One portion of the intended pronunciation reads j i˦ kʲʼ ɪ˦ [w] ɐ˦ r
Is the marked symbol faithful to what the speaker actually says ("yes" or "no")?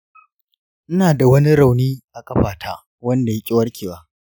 yes